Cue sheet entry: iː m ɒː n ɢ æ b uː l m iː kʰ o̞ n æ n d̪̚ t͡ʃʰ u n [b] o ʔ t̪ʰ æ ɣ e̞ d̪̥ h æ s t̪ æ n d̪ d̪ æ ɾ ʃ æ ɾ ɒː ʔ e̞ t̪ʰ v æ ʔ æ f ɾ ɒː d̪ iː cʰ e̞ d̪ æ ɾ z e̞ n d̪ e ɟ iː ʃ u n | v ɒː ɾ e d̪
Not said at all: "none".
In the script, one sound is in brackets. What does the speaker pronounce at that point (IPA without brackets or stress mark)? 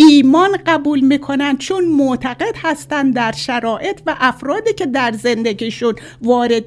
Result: m